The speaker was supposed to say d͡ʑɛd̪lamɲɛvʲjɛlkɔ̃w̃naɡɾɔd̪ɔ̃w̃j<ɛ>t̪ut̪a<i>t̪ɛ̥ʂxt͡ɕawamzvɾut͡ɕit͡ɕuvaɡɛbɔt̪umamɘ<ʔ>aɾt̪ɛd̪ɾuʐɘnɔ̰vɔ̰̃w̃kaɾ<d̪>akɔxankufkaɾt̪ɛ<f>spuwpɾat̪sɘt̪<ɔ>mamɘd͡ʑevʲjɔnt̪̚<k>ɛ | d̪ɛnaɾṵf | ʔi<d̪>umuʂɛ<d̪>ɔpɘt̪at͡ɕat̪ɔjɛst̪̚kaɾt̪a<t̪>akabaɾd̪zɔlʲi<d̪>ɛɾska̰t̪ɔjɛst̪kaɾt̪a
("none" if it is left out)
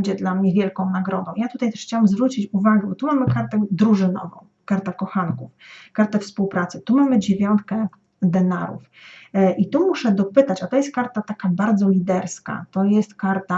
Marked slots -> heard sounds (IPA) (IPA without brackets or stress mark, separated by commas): a, j, k, t̪, f, u, k, t̪, d̪, t̪, d̪